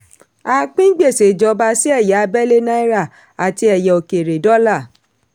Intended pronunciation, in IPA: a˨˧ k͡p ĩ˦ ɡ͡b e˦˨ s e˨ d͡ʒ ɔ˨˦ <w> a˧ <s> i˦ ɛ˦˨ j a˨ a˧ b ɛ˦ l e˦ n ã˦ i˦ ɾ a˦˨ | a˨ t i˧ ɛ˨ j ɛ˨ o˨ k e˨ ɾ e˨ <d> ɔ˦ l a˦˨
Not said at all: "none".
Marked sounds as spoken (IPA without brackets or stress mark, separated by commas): b, s, d